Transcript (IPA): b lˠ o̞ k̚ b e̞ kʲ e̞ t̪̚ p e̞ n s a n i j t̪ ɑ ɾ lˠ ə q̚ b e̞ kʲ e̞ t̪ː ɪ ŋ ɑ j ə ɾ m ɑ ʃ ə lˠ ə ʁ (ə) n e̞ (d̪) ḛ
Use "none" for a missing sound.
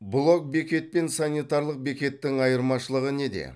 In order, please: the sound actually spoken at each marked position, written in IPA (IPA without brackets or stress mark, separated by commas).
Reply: ə, d̪